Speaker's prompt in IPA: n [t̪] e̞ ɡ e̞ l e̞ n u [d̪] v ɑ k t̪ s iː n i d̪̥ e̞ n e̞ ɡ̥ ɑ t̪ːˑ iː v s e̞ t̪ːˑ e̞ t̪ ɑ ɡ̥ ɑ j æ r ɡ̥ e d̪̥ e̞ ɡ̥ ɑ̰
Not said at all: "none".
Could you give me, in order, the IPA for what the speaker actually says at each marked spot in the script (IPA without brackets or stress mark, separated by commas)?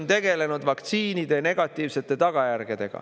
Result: t̪, d̪